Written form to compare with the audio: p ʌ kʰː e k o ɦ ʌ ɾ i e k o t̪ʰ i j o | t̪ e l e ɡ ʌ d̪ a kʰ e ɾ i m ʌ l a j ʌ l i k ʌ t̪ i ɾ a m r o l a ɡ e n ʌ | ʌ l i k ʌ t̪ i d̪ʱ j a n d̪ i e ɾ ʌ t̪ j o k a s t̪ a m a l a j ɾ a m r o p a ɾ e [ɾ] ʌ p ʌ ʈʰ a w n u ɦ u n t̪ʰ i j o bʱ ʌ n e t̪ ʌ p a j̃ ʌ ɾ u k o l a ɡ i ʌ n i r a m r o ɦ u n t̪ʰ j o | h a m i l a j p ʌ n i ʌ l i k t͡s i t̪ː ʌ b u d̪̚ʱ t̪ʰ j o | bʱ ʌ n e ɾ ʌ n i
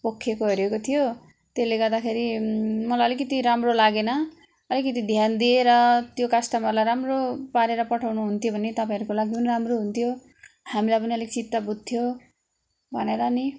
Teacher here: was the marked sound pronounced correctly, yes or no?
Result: yes